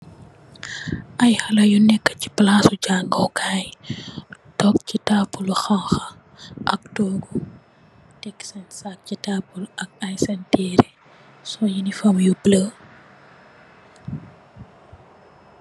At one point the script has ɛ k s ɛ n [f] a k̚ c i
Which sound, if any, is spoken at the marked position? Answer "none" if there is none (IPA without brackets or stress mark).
s